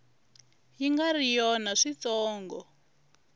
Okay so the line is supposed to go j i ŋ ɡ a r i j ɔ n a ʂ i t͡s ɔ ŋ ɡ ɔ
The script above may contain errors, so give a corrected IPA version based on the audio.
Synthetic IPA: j i ŋ ɡ a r i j ɔ n a ʂ i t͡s ɔː ŋ ɡ ɔ